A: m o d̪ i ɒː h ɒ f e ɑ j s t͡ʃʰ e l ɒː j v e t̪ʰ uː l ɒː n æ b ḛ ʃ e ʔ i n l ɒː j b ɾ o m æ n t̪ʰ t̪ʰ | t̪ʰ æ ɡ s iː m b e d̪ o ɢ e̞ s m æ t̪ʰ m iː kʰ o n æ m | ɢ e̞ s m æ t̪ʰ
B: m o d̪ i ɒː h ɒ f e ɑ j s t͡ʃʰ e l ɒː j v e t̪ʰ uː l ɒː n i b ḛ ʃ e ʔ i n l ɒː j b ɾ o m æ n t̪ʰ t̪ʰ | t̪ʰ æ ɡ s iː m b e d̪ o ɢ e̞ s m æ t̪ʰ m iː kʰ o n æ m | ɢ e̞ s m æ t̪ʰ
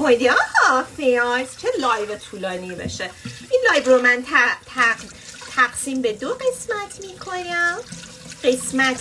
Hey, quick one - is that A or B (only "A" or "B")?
B